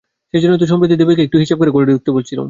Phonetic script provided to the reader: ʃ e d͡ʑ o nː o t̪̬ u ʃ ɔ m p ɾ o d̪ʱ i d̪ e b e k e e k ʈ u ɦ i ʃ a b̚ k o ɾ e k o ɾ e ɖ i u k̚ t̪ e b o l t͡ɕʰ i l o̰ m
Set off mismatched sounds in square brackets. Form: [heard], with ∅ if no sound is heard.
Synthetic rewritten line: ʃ e d͡ʑ o nː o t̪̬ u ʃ ɔ m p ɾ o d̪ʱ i d̪ e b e k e e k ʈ u ɦ i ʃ a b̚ k o ɾ e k o ɾ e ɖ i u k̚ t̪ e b o l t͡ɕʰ i l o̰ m